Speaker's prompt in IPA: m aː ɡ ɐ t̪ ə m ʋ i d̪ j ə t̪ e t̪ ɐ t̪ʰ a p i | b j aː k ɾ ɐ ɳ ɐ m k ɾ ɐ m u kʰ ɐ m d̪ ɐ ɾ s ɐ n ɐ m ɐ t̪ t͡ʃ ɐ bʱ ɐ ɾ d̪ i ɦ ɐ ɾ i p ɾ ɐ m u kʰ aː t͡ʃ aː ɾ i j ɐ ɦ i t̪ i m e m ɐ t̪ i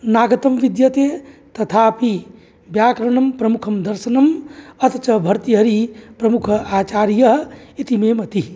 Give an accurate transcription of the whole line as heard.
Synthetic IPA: n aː ɡ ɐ t̪ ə m ʋ i d̪ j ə t̪ e t̪ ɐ t̪ʰ a p i | b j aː k ɾ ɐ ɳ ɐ m p ɾ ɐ m u kʰ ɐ m d̪ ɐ ɾ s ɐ n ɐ m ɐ t̪ t͡ʃ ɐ bʱ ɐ ɾ t̪ i ɦ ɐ ɾ i p ɾ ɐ m u kʰ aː t͡ʃ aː ɾ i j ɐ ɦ i t̪ i m e m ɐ t̪ i